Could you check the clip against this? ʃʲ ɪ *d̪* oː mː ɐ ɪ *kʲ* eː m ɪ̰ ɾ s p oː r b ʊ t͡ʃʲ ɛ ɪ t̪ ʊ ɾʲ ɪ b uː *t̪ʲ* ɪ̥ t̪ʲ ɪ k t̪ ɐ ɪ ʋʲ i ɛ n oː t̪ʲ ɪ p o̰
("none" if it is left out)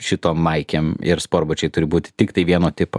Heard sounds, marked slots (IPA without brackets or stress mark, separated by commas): t̪, kʲ, t̪ʲ